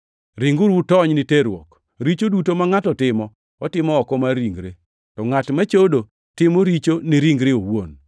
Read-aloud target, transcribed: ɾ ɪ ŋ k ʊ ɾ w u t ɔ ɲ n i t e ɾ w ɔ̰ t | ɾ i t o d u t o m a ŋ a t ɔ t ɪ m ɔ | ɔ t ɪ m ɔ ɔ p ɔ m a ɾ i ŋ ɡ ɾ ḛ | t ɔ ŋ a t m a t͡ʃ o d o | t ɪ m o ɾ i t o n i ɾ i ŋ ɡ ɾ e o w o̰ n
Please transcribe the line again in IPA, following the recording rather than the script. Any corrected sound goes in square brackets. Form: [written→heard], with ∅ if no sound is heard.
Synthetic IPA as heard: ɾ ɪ ŋ [k→ɡ] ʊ ɾ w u t ɔ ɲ n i t e ɾ w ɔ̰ [t→k] | ɾ i [t→t͡ʃ] o d u t o m a ŋ a t ɔ t ɪ m ɔ | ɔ t ɪ m ɔ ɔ [p→k] ɔ m a ɾ i ŋ ɡ ɾ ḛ | t ɔ ŋ a t m a t͡ʃ o d o | t ɪ m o ɾ i [t→t͡ʃ] o n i ɾ i ŋ ɡ ɾ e o w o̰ n